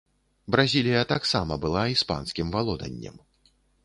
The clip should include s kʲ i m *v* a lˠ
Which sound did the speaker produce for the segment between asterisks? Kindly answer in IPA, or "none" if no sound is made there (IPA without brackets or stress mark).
v